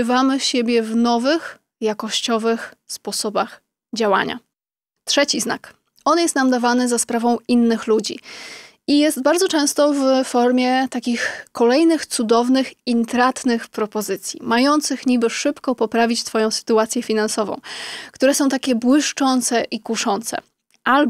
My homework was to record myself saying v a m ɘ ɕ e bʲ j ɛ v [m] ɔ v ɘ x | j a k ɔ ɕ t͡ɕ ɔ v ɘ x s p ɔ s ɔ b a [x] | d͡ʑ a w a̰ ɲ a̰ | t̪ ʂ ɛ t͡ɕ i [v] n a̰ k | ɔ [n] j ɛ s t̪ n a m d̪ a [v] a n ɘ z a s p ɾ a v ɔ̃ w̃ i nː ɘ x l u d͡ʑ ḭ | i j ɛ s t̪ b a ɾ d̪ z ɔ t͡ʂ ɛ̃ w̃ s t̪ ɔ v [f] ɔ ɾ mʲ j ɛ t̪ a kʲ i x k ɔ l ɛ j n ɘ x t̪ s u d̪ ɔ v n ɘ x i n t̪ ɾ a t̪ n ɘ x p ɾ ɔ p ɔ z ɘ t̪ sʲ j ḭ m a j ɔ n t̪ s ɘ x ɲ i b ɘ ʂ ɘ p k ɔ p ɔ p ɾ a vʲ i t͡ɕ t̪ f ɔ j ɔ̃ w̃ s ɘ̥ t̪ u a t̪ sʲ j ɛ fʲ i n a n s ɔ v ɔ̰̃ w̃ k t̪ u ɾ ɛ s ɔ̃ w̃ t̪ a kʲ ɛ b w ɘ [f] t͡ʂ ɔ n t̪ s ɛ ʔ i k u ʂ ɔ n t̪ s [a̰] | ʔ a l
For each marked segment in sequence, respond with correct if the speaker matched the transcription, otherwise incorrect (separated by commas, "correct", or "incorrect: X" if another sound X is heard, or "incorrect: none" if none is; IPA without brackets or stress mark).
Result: incorrect: n, correct, incorrect: z, correct, correct, correct, incorrect: ʂ, incorrect: ɛ̰